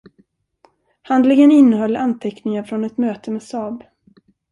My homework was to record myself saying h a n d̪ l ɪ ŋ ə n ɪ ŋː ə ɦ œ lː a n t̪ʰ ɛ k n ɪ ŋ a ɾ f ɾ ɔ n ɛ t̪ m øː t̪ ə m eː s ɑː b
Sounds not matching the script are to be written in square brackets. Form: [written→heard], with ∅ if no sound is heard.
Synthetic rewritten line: h a n d̪ l ɪ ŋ ə n ɪ [ŋː→nː] ə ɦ œ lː a n t̪ʰ ɛ k n ɪ ŋ a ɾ f ɾ ɔ n ɛ t̪ m øː t̪ ə m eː s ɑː b